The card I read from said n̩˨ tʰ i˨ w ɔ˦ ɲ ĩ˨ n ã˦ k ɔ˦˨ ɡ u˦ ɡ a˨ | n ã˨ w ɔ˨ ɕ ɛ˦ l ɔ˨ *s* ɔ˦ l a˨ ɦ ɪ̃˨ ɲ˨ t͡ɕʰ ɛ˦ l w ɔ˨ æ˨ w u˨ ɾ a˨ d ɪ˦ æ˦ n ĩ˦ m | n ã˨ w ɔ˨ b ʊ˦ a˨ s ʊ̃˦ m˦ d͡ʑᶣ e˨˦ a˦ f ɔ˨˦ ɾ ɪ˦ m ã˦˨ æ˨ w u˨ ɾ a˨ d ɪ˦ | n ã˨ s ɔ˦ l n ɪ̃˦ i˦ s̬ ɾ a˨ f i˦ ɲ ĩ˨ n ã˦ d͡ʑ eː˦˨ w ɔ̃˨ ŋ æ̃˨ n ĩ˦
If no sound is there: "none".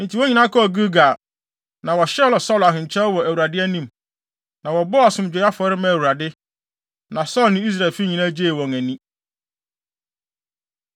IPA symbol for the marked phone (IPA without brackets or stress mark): s